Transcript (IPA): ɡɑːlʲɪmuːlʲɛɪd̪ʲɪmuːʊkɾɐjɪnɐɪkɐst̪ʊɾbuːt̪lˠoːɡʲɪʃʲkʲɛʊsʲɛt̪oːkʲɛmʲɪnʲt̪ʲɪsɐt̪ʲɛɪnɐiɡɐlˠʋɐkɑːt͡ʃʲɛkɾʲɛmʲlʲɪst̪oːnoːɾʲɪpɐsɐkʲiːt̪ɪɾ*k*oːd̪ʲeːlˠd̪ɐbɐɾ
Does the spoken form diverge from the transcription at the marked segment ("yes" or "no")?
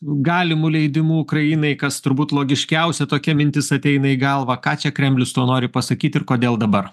no